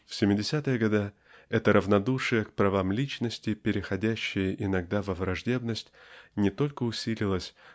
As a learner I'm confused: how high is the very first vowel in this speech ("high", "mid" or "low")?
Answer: high